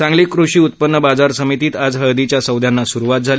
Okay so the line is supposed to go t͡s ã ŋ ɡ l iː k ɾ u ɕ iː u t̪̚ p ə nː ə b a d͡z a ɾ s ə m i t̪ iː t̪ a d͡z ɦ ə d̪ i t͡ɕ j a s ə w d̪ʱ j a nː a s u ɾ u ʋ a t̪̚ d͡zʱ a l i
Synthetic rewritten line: t͡s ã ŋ ɡ l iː k ɾ u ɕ iː u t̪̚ p ə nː ə b a d͡z a ɾ s ə m i t̪ iː t̪ a d͡z ɦ ə d̪ i t͡ɕ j a s ə w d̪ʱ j a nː a s u ɾ u ʋ a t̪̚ d͡zʱ a l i